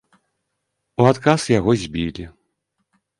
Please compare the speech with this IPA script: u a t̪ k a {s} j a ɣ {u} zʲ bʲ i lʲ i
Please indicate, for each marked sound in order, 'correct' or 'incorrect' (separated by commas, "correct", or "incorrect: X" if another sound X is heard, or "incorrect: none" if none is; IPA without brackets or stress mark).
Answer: correct, incorrect: ɔ